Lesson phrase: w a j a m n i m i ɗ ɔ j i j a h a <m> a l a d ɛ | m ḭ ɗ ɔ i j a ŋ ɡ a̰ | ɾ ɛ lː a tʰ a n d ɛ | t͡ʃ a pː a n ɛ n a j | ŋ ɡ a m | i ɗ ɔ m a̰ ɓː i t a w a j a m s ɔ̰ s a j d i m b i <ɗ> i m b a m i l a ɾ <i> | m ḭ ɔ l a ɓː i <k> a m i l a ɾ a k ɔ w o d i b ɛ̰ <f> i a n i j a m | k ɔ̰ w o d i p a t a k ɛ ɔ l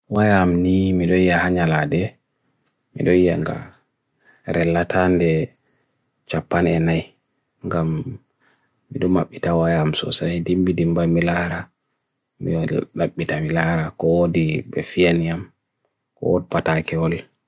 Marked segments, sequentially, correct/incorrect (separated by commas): incorrect, incorrect, incorrect, incorrect, correct